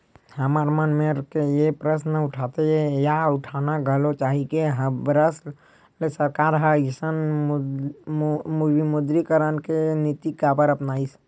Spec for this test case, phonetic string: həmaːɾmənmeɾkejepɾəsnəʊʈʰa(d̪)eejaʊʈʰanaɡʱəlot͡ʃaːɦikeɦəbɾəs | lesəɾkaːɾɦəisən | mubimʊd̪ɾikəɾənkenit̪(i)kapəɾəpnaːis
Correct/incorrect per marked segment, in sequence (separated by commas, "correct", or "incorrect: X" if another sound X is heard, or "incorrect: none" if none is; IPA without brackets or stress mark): incorrect: t̪, correct